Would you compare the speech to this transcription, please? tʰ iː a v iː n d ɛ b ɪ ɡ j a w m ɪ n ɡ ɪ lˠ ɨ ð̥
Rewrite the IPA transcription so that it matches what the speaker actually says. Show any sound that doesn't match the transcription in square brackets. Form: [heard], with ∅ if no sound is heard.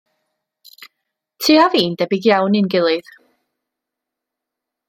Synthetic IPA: tʰ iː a v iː n d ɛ b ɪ ɡ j a w [n] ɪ n ɡ ɪ lˠ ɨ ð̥

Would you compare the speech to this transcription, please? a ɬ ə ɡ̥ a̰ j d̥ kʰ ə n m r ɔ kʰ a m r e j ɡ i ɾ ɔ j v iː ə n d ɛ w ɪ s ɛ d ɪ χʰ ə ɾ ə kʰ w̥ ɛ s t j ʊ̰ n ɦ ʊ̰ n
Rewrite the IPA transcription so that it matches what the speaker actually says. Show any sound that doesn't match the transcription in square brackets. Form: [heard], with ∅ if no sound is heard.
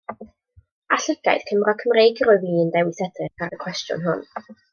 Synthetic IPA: a ɬ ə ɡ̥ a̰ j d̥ kʰ ə [∅] m r ɔ kʰ [ə] m r e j ɡ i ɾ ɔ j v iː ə n d ɛ w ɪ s ɛ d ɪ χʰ [a] ɾ ə kʰ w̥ ɛ s t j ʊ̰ n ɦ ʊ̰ n

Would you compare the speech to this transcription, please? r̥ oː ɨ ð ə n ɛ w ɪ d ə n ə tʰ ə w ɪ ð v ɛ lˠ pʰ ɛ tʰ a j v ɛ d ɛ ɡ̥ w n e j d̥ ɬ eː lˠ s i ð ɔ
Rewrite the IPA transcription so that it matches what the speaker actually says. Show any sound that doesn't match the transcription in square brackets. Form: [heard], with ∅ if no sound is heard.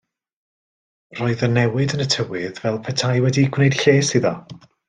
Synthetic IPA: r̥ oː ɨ ð ə n ɛ w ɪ d ə n ə tʰ ə w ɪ ð v ɛ lˠ pʰ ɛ tʰ a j [w] ɛ d [i] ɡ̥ w n e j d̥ ɬ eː [∅] s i ð ɔ

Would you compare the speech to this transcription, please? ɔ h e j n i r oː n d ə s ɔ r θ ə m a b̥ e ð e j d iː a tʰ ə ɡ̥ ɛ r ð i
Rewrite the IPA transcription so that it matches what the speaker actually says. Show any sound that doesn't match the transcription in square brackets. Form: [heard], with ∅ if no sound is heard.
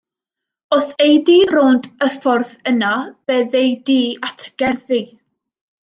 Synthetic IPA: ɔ [s] e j [d] i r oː n d ə [f] ɔ r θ ə [n] a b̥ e ð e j d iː a tʰ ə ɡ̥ ɛ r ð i

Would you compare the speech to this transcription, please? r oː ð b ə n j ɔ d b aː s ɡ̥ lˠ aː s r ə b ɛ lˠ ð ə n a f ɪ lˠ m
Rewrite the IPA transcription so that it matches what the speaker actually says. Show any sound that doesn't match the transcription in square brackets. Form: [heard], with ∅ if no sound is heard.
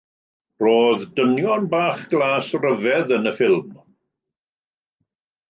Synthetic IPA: r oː ð [d] ə n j ɔ [n] b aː [χ] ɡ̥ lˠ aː s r ə [v] ɛ [∅] ð ə n [ə] f ɪ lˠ m

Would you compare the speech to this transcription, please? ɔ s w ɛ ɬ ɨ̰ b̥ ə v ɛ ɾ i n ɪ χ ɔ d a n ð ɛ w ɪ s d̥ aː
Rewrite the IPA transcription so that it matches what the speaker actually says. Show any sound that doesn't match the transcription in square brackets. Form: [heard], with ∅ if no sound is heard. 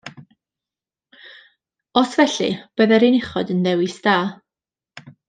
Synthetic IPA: ɔ s [v] ɛ ɬ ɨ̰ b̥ ə [ð] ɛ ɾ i n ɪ χ ɔ d [ə] n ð ɛ w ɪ s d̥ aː

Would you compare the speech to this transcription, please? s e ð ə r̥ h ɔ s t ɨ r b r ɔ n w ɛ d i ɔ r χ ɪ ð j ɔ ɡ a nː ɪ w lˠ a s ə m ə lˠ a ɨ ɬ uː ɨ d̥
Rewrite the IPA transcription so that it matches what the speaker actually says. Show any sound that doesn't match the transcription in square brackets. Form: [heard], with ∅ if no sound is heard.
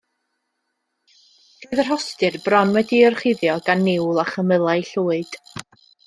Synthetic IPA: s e ð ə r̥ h ɔ s t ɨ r b r ɔ n w ɛ d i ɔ r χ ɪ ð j ɔ ɡ a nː ɪ w lˠ a [χ] ə m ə lˠ a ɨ ɬ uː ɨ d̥

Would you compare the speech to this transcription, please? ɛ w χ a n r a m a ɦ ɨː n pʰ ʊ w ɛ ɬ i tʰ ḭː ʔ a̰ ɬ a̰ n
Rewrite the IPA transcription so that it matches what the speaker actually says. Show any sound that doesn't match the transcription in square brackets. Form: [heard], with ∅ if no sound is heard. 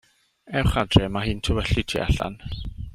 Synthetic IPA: ɛ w χ a [d] r [ɛ] m a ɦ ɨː n [tʰ] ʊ w ɛ ɬ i tʰ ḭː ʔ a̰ ɬ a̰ n

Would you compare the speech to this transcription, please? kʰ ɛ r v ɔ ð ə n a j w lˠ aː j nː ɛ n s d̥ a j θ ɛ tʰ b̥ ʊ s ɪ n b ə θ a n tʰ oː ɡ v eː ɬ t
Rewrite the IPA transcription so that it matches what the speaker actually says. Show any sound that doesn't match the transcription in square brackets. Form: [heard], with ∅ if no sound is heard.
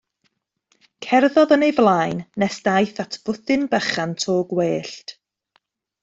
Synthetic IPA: kʰ ɛ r [ð] ɔ ð ə n [e] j [v] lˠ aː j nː ɛ [∅] s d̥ a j θ [a] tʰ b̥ ʊ [θ] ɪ n b ə [χ] a n tʰ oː ɡ [w] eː ɬ t

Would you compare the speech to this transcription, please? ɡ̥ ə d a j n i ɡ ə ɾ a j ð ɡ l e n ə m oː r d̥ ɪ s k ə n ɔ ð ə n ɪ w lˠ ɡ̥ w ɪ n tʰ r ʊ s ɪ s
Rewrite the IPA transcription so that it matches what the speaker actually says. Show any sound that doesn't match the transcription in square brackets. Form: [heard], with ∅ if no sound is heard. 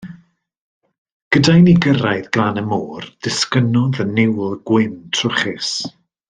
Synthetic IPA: ɡ̥ ə d a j n i ɡ ə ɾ a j ð ɡ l [a] n ə m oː r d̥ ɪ s k ə n ɔ ð ə n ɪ w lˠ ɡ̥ w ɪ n tʰ r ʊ [χ] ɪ s

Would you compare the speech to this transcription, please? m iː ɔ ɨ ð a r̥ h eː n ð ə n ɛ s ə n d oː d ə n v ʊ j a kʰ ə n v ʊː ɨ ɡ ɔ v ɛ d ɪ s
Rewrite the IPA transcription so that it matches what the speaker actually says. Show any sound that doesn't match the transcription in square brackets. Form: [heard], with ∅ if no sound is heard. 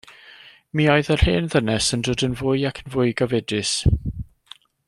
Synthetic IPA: m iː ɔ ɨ ð [ə] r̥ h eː n ð ə n ɛ s ə n d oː d ə n v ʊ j a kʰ ə n v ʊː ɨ ɡ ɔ v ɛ d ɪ s

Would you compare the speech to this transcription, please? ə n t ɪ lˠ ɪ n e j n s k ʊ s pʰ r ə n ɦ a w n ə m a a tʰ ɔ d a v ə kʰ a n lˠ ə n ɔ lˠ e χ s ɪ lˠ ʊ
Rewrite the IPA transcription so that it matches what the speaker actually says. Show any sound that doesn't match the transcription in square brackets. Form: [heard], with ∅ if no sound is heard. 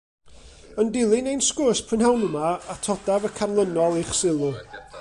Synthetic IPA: ə n [d] ɪ lˠ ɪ n e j n s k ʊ s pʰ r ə n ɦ a w n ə m a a tʰ ɔ d a v ə kʰ a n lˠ ə n ɔ lˠ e χ s ɪ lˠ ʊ

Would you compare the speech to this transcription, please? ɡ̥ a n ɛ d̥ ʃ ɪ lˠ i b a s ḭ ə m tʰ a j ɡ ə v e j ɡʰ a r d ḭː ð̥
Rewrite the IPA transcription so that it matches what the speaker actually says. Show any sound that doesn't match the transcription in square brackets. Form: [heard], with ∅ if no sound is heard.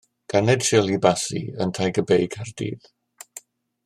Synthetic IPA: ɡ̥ a n ɛ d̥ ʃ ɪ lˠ i b a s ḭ ə [n] tʰ a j ɡ ə [b] e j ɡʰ a r d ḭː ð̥

